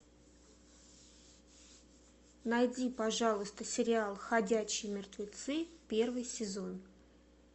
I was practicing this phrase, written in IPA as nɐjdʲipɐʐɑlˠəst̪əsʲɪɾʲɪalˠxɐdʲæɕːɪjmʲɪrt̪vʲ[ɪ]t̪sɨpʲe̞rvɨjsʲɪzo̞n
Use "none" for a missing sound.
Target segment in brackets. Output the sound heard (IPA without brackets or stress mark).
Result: ɪ